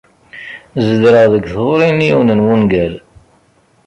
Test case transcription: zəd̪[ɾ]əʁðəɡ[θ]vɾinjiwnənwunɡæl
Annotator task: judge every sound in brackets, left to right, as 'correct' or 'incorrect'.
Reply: correct, correct

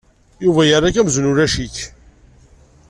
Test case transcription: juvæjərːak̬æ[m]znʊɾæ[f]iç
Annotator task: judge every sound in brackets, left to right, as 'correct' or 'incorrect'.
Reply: correct, incorrect: ʃ

